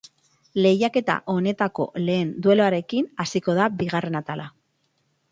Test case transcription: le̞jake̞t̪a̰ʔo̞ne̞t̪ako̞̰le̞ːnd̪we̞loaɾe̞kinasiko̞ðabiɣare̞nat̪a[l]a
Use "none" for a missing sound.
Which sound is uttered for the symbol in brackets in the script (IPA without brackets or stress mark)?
l